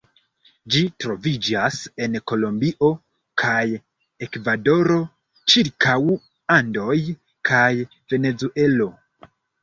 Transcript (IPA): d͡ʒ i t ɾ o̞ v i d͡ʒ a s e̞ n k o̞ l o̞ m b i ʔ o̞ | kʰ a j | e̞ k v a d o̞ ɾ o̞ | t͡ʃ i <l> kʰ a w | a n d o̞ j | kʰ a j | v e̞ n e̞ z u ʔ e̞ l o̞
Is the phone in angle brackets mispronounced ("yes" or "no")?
yes